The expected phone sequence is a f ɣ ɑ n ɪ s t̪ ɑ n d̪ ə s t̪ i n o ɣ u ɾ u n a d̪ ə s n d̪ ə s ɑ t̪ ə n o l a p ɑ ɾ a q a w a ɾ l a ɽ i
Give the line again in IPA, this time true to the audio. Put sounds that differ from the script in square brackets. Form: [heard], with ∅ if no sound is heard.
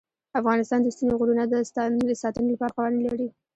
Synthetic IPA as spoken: a f ɣ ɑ n ɪ s t̪ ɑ n d̪ ə s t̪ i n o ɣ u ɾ u n a d̪ ə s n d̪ ə s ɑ t̪ ə n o l a p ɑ ɾ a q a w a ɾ l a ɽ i